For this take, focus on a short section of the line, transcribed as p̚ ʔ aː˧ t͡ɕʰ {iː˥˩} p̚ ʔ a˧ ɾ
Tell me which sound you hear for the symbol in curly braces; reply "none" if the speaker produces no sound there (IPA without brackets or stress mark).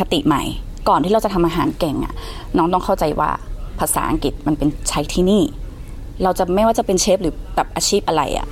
iː˥˩